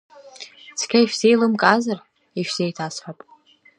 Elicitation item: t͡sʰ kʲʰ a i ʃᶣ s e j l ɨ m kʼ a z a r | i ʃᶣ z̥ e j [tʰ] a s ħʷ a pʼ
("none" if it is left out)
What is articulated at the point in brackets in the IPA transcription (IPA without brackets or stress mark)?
tʰ